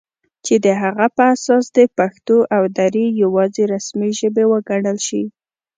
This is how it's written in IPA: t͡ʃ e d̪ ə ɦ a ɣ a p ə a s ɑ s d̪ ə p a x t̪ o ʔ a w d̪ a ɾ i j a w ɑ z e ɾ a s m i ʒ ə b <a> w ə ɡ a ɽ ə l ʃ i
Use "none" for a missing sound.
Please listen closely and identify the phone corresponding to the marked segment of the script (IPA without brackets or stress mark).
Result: e